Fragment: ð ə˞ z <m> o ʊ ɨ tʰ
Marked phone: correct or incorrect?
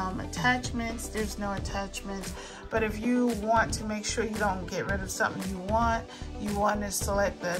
incorrect: n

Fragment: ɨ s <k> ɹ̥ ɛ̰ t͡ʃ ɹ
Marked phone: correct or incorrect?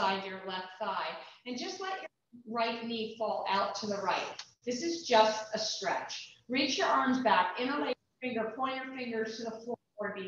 incorrect: t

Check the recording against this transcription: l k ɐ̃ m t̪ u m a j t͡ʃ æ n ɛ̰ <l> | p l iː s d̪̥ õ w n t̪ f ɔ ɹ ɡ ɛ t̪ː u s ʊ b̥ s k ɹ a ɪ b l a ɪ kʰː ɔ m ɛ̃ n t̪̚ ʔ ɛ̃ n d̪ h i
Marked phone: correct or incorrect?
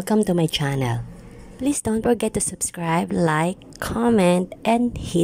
correct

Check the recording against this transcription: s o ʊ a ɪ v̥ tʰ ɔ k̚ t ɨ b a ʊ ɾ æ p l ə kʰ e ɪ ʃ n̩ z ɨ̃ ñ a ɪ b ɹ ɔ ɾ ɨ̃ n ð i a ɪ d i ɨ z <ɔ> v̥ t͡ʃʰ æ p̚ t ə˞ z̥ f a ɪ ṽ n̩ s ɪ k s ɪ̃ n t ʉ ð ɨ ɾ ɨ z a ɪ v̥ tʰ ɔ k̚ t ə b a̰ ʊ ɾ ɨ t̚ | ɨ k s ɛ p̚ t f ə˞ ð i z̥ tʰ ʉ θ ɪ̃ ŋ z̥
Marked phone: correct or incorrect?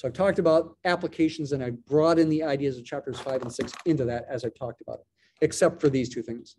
incorrect: ʌ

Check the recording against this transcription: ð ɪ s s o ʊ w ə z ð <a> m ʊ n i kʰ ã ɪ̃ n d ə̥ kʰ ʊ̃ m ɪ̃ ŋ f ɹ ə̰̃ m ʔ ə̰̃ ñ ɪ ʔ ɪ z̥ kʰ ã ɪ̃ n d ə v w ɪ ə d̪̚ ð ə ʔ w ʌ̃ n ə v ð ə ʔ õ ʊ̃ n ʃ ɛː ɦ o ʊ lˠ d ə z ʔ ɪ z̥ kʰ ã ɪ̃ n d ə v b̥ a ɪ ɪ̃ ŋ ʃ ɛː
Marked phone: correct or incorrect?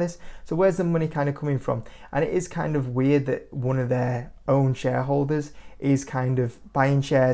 incorrect: ə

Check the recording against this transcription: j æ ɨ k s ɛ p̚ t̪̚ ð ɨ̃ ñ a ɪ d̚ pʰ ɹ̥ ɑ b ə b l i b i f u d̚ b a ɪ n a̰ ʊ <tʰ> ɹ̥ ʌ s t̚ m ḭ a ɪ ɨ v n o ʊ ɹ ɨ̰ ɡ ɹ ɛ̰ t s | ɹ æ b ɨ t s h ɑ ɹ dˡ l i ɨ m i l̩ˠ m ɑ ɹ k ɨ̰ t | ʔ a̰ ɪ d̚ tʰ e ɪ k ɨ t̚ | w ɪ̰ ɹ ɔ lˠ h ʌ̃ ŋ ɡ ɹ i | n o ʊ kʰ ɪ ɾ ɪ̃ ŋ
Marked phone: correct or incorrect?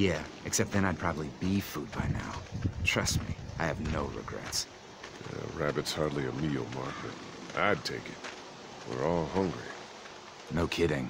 correct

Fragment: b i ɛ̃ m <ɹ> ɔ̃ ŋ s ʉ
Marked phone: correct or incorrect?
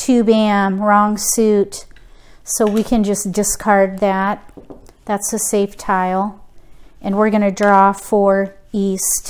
correct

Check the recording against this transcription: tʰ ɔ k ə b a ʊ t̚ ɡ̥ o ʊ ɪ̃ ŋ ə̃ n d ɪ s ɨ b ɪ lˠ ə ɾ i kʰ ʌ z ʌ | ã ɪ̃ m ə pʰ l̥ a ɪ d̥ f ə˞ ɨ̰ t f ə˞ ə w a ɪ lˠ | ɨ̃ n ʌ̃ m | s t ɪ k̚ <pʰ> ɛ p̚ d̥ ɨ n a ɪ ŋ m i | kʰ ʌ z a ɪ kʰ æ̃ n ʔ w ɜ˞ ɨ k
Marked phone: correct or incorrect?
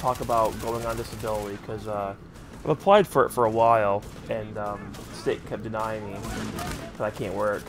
incorrect: kʰ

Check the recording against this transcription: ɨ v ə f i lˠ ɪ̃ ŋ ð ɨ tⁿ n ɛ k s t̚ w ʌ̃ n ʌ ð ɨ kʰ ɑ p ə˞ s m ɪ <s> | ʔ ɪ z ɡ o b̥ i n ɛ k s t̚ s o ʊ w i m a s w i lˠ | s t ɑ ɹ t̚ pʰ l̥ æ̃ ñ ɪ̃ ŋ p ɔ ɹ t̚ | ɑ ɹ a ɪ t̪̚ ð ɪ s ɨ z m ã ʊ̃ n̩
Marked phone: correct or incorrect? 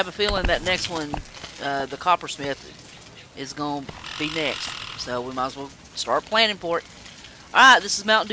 incorrect: θ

